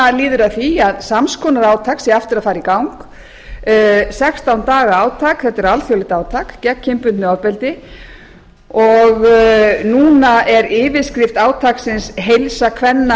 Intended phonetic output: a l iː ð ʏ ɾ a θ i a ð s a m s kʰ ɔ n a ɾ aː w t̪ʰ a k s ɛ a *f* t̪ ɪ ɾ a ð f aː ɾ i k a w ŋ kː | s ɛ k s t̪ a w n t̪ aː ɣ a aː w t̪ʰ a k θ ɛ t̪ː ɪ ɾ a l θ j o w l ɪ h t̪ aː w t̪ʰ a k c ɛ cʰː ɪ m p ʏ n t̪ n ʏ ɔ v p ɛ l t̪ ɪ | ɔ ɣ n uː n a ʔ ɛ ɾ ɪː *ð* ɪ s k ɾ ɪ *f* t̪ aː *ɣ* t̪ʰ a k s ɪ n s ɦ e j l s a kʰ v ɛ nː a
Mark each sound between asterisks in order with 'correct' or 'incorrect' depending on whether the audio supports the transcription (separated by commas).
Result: correct, incorrect, correct, incorrect